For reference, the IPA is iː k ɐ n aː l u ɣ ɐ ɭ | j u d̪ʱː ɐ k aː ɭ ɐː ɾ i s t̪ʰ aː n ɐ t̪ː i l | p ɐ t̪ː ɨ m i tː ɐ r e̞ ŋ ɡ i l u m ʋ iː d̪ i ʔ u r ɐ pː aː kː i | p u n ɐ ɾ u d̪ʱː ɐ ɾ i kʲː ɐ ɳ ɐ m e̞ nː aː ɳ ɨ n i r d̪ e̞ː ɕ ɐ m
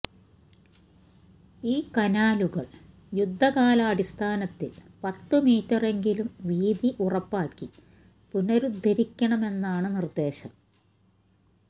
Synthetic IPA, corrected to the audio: iː k ɐ n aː l u ɣ ɐ ɭ | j u d̪ʱː ɐ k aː l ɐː ɽ i s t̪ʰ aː n ɐ t̪ː i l | p ɐ t̪ː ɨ m iː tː ɐ r e̞ ŋ ɡ i l u m ʋ iː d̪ i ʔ u r ɐ pː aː kː i | p u n ɐ ɾ u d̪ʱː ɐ ɾ i kʲː ɐ ɳ ɐ m e̞ nː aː ɳ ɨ n i r d̪ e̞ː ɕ ɐ m